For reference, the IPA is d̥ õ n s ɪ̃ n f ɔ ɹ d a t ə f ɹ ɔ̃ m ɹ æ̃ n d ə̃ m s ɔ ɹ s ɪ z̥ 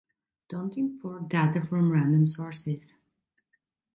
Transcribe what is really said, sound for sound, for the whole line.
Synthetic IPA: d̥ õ n t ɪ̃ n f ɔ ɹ d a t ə f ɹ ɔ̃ m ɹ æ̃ n d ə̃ m s ɔ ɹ s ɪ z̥